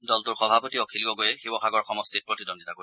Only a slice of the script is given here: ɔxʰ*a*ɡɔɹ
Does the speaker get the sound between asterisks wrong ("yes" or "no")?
no